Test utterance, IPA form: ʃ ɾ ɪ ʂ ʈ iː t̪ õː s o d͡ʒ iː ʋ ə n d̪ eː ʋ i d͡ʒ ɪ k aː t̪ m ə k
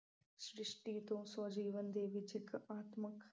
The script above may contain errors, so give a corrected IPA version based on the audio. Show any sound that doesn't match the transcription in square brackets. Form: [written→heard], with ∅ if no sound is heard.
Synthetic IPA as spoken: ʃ ɾ ɪ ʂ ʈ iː t̪ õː s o d͡ʒ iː ʋ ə n d̪ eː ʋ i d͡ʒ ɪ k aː t̪ m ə k